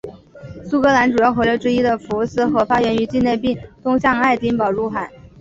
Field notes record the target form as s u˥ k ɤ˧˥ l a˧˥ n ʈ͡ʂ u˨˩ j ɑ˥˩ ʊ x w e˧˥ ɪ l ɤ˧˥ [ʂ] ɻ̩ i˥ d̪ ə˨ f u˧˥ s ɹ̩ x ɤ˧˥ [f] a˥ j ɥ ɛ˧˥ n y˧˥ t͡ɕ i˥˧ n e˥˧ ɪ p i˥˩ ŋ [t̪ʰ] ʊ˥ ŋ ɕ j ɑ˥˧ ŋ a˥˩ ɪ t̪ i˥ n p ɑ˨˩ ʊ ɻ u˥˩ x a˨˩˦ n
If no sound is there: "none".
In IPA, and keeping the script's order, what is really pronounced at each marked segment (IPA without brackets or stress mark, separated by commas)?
ʈ͡ʂ, f, t̪